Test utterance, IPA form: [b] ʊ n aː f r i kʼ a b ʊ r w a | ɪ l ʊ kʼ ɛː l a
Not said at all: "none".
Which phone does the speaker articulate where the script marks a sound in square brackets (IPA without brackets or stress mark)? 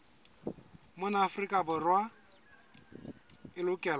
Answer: m